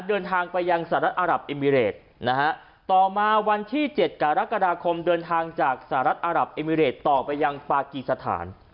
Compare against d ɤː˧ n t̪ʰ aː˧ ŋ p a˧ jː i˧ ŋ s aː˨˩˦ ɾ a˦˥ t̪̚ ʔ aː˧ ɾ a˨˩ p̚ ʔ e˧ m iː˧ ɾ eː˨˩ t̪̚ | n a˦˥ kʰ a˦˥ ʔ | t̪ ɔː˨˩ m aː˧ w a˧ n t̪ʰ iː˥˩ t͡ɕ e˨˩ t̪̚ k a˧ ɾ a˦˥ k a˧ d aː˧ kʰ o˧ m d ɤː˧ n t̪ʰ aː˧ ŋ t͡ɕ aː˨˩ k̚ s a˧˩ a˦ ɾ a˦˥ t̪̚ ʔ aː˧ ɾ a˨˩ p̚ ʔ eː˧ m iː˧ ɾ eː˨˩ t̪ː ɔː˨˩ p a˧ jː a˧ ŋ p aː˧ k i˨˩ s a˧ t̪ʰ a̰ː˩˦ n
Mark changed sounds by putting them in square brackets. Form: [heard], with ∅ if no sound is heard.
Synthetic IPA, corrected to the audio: d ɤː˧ n t̪ʰ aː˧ ŋ p a˧ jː [a˧] ŋ s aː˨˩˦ ɾ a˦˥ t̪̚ ʔ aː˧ ɾ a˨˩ p̚ ʔ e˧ m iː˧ ɾ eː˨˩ t̪̚ | n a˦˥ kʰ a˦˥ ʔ | t̪ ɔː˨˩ m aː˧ w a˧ n t̪ʰ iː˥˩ t͡ɕ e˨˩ t̪̚ k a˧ ɾ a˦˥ k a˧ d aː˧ kʰ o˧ m d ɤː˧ n t̪ʰ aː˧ ŋ t͡ɕ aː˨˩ k̚ s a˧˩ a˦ ɾ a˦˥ t̪̚ ʔ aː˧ ɾ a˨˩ p̚ ʔ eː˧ m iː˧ ɾ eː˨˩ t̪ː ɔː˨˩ p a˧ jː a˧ ŋ p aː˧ k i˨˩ s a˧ t̪ʰ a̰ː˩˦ n